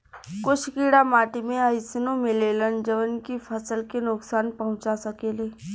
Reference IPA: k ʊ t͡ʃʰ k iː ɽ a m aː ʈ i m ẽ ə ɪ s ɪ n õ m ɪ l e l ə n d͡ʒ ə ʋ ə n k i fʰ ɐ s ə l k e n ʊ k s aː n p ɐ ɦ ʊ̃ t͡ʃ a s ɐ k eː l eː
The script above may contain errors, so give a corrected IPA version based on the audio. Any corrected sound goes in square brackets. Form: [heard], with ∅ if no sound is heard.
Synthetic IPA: k ʊ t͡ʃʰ k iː ɽ a m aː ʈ i m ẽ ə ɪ s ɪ n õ m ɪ l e l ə n d͡ʒ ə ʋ ə n k i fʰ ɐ s ə l k e n ʊ k s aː n p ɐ ɦ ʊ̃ t͡ʃ a s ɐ k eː l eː